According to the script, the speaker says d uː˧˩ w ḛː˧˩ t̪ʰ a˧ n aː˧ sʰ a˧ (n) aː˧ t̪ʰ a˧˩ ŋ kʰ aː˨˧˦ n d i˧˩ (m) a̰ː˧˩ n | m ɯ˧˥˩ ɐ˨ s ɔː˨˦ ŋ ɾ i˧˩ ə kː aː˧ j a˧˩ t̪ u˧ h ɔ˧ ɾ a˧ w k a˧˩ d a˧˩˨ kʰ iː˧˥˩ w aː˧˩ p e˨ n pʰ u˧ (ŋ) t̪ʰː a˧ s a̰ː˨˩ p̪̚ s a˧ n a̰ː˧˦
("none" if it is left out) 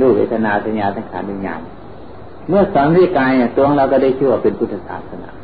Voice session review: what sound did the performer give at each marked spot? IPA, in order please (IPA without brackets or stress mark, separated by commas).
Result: ɲ, ɲ, none